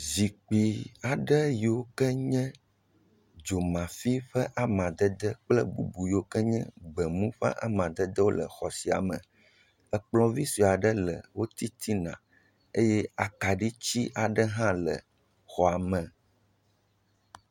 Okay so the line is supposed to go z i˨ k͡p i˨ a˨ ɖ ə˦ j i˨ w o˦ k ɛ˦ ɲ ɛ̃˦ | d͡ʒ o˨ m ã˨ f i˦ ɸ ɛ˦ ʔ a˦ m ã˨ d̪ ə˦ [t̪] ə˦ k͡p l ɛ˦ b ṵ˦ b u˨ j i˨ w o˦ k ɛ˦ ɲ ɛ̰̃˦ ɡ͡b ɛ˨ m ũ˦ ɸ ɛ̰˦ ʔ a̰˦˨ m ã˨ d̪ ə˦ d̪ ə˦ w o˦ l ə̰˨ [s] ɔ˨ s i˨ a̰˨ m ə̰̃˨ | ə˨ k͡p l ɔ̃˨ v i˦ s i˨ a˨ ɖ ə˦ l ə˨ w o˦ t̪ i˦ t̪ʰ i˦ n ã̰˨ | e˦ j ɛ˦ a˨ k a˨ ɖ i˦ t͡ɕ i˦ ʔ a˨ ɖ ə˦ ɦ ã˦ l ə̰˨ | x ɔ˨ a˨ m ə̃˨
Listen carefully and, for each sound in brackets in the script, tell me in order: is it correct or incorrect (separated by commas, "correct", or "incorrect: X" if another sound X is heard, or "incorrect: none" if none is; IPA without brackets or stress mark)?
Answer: incorrect: d̪, incorrect: x